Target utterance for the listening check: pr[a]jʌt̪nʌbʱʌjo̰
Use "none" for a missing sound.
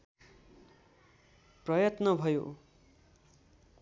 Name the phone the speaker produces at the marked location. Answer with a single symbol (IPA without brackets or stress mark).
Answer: ʌ